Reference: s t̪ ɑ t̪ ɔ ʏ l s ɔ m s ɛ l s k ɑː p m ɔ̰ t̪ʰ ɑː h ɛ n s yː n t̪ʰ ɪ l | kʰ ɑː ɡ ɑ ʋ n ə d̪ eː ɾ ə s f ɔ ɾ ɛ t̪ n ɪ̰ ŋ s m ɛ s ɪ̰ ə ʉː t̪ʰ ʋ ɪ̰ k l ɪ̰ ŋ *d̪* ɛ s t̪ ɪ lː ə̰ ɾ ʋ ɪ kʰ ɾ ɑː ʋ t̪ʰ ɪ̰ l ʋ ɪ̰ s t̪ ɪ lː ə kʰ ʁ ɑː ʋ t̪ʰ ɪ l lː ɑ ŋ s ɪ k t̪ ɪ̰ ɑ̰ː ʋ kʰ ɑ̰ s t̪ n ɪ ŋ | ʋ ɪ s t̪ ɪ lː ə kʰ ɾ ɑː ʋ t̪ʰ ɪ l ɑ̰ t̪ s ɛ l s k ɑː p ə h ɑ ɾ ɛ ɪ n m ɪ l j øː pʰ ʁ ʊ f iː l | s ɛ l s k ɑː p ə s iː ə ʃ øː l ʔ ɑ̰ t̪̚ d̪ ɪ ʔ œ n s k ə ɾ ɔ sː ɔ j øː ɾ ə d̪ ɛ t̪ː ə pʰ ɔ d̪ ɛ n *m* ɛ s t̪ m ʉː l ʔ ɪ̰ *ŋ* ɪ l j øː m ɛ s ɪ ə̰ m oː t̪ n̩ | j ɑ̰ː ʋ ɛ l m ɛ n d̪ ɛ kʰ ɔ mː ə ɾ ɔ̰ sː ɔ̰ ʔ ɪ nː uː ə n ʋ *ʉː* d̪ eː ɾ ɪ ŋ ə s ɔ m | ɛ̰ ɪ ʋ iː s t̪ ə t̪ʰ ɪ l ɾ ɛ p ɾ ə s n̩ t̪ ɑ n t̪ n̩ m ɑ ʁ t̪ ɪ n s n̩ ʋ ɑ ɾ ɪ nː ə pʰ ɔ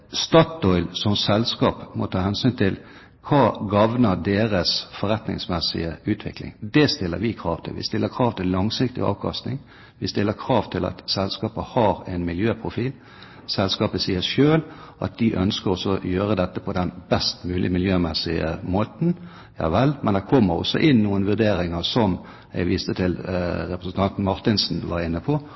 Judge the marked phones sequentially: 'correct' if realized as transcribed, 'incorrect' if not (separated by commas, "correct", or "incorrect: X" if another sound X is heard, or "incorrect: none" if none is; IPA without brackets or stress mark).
correct, incorrect: b, incorrect: m, incorrect: ʉ